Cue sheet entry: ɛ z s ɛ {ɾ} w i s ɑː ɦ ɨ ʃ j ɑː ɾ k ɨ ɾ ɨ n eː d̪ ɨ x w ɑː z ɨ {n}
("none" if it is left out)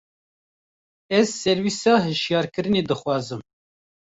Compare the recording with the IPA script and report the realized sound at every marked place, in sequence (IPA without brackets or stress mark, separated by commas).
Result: ɾ, m